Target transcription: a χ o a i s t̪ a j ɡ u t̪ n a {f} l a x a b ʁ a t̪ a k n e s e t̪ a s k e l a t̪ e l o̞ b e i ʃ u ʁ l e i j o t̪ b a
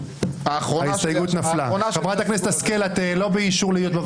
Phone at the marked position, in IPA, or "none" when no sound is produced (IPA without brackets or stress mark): f